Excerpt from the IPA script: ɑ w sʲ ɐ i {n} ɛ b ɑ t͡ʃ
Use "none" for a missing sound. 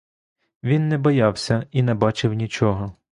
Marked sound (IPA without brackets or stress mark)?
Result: n